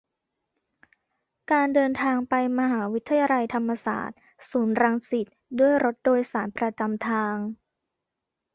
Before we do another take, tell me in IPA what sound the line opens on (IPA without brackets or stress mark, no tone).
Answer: k